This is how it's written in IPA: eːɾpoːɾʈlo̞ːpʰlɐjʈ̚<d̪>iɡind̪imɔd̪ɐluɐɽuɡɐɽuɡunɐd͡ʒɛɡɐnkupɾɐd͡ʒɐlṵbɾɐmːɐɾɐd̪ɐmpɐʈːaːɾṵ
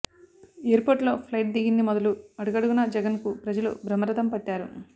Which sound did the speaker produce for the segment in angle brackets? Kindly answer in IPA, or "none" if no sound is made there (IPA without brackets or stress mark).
d̪